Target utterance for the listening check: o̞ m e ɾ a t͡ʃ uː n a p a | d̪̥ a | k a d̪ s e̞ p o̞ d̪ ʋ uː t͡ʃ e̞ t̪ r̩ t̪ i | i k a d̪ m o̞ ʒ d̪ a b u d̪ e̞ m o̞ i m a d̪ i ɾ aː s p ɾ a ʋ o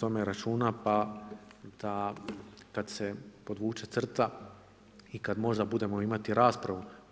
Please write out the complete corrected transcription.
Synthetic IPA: o̞ m e ɾ a t͡ʃ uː n a p a | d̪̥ a | k a d̪ s e̞ p o̞ d̪ ʋ uː t͡ʃ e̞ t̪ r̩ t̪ a | i k a d̪ m o̞ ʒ d̪ a b u d̪ e̞ m o̞ i m a t̪ i ɾ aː s p ɾ a ʋ u